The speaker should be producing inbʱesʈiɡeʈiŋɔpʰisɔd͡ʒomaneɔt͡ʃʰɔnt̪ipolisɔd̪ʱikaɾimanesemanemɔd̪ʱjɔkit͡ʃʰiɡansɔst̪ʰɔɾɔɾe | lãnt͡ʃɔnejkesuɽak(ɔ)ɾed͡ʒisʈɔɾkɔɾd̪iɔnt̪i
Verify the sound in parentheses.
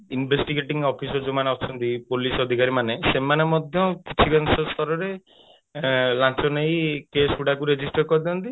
incorrect: u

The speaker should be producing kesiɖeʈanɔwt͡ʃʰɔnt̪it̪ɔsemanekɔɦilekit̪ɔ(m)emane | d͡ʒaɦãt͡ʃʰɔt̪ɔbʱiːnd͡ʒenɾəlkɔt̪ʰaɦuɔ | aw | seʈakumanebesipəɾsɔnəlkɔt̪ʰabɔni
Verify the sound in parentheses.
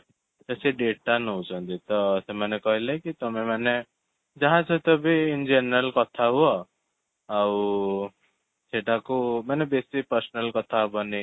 correct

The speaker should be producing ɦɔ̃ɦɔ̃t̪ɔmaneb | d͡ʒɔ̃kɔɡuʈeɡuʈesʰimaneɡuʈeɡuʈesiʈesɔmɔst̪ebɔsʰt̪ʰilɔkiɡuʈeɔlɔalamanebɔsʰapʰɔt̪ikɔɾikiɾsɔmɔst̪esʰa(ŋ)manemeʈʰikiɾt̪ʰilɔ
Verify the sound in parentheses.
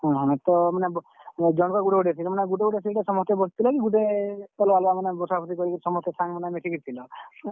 correct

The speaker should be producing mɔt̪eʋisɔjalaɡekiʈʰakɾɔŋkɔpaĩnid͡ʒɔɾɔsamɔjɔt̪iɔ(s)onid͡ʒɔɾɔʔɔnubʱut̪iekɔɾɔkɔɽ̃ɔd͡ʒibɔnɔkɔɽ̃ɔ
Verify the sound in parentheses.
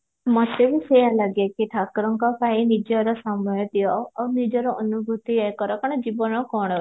incorrect: none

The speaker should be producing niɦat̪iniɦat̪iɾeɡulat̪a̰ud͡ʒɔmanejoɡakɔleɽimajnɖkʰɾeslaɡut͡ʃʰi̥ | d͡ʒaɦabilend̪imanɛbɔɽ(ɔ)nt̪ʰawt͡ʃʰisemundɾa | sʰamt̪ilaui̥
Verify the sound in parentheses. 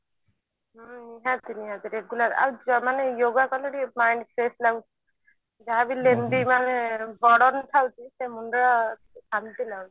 correct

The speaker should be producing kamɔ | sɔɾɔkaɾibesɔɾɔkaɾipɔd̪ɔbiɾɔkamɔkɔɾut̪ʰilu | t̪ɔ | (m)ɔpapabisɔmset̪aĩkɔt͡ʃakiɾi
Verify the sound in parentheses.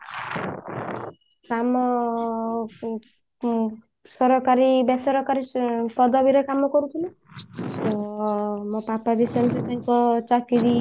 correct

